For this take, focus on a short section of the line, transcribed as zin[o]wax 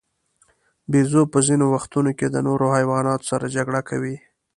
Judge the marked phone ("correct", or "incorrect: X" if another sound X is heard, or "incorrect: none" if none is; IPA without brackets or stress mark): correct